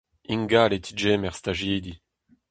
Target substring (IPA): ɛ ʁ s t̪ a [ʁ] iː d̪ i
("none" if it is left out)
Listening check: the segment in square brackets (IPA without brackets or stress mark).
ʒ